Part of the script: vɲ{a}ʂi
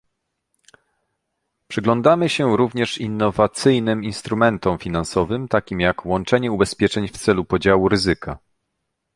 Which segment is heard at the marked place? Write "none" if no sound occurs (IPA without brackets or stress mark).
ɛ